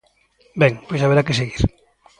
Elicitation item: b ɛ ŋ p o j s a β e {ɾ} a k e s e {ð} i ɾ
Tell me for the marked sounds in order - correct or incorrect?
correct, incorrect: ɣ

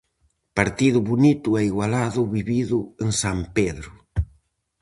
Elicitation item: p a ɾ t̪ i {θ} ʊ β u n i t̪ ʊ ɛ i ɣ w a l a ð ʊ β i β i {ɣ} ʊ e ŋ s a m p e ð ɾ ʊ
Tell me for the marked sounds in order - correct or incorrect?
incorrect: ð, incorrect: ð

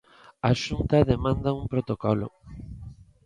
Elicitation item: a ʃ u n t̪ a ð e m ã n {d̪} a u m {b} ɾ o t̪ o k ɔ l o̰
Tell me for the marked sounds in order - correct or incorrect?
correct, incorrect: p

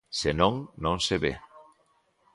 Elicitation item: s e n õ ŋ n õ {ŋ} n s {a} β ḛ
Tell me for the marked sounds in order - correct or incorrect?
incorrect: none, incorrect: e

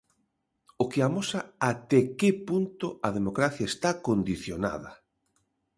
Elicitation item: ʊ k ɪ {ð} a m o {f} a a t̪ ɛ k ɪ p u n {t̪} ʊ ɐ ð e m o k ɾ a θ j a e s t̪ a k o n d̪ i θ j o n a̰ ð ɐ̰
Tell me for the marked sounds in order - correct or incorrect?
incorrect: none, incorrect: s, correct

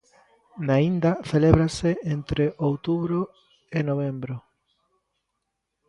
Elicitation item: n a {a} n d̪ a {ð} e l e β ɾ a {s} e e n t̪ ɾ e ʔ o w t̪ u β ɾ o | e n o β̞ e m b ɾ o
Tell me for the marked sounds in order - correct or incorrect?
incorrect: i, incorrect: θ, correct

